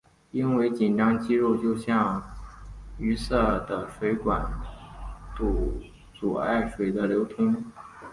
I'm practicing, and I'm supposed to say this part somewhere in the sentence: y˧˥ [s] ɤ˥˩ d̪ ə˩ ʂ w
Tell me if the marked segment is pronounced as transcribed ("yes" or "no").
yes